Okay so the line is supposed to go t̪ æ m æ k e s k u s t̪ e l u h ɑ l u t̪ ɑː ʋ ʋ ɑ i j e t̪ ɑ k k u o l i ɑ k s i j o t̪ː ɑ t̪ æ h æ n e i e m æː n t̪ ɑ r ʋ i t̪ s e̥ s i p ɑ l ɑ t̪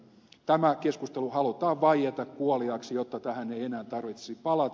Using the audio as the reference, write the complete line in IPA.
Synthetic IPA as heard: t̪ æ m æ k e s k u s t̪ e l u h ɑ l u t̪ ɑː ʋ ʋ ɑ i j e t̪ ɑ k k u o l i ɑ k s i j o t̪ː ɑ t̪ æ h æ n e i e n æː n t̪ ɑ r ʋ i t̪ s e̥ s i p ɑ l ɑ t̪